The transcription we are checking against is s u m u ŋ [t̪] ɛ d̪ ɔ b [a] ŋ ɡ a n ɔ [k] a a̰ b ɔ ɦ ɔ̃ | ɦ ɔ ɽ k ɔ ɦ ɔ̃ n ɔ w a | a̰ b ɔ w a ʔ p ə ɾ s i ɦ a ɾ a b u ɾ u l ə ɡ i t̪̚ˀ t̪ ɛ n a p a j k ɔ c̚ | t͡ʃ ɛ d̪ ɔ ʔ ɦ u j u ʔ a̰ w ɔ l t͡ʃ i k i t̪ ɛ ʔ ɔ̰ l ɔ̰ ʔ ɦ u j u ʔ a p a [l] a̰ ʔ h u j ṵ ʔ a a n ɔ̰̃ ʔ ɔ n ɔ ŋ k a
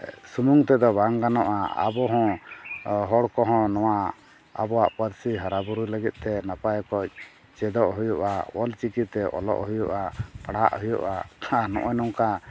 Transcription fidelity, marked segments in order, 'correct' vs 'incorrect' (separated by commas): correct, correct, incorrect, incorrect